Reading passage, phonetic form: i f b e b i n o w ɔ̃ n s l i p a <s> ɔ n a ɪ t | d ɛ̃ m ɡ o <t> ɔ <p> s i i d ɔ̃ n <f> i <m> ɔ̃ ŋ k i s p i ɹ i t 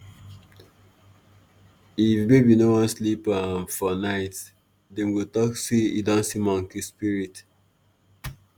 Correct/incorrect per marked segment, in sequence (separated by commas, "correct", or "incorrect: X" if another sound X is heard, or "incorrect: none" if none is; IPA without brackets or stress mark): incorrect: f, correct, incorrect: k, incorrect: s, correct